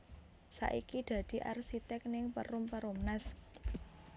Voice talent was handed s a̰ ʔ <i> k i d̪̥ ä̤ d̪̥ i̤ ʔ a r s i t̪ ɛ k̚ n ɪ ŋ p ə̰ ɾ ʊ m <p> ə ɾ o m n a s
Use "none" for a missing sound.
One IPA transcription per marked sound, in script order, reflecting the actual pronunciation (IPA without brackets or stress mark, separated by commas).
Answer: i, p